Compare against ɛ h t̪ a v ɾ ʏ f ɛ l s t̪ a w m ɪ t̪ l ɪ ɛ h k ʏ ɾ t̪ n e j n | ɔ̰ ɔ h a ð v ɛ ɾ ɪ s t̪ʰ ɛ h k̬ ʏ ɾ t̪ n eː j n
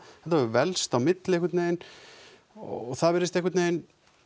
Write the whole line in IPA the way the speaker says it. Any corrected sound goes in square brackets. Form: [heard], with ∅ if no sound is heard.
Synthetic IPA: ɛ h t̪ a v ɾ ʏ [v] ɛ l s t̪ a w m ɪ t̪ l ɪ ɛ h k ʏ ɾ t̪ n e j n | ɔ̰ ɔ [θ] a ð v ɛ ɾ ɪ s [t̪] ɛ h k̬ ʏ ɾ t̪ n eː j n